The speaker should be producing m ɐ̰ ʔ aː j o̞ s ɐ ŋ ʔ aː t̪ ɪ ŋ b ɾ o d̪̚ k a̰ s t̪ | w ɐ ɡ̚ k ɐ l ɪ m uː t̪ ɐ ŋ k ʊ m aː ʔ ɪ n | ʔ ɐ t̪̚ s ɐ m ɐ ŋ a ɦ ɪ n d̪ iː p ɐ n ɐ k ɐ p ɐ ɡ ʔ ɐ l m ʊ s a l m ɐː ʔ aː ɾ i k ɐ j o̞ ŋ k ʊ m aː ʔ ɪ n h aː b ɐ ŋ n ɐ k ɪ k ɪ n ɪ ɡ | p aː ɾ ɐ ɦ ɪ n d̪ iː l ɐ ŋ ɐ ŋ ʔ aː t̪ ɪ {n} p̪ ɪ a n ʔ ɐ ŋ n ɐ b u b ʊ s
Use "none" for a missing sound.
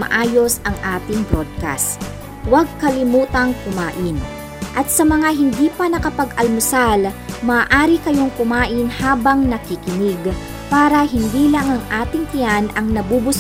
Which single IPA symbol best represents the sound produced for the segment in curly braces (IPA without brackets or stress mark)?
ŋ